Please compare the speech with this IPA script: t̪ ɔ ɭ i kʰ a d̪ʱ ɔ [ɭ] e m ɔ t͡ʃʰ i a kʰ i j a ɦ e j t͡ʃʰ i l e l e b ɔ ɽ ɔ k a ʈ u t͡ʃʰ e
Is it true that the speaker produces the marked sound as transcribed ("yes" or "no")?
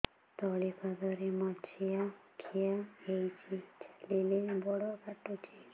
no